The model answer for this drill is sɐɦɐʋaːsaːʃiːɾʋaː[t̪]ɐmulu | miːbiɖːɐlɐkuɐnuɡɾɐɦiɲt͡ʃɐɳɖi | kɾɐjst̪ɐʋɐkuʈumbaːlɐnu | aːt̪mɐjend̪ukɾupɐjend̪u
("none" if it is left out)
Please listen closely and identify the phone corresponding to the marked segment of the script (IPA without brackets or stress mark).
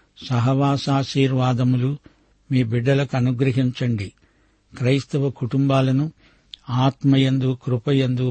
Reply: d̪